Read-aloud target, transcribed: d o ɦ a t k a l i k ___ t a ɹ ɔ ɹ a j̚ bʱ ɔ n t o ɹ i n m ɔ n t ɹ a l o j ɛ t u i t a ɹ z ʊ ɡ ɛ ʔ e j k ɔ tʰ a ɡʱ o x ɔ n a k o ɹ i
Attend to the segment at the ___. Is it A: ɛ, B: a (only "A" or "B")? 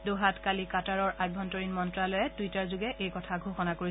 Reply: B